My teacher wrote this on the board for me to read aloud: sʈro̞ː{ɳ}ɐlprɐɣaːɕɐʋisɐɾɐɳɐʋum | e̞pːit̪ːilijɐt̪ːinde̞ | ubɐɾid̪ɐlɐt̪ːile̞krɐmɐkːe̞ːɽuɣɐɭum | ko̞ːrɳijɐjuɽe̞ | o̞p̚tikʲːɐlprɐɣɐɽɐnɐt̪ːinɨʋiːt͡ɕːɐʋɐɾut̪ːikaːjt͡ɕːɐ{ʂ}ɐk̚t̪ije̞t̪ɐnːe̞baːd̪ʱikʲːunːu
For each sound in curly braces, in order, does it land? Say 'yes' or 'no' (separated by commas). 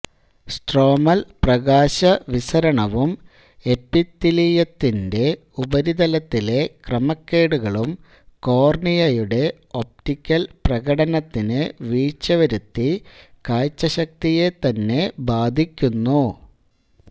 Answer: no, no